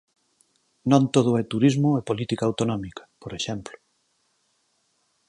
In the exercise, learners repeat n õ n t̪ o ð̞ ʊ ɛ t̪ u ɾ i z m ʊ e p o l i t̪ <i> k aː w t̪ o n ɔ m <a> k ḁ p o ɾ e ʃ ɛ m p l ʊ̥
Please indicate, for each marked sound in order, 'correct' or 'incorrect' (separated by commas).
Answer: correct, incorrect